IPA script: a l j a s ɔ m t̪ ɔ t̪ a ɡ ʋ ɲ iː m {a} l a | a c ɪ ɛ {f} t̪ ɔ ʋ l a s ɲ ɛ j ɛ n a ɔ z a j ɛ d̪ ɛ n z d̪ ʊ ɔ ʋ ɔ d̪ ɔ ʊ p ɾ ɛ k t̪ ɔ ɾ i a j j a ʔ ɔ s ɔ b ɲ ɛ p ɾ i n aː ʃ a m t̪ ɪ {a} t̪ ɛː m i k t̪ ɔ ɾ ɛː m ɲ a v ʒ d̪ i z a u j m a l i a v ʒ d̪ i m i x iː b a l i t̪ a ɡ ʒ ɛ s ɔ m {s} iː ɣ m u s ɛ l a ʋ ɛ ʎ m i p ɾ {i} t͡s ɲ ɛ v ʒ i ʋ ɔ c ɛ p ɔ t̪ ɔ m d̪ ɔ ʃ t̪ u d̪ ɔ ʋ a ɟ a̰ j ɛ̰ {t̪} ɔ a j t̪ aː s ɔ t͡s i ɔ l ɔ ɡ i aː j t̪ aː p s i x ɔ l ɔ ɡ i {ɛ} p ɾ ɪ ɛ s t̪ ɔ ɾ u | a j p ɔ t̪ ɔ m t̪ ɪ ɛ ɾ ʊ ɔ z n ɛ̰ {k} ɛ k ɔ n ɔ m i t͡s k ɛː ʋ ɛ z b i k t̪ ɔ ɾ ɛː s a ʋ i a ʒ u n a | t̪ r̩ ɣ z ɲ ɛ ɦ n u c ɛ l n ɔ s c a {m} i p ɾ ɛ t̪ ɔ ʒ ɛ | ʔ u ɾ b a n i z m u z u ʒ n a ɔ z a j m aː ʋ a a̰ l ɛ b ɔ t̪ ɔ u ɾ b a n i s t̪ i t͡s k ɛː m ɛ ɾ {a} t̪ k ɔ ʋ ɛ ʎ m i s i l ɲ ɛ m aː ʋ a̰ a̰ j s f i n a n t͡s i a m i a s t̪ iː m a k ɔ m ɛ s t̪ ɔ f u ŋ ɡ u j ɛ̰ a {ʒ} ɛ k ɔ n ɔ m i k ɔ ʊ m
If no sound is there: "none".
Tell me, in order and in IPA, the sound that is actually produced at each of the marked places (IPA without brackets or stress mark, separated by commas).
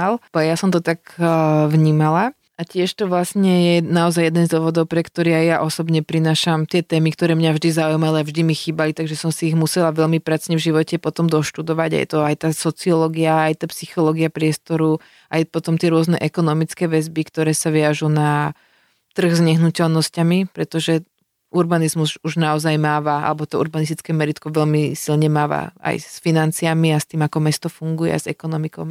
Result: a, ʃ, ɛ, s, a, t̪, a, ʔ, m, i, z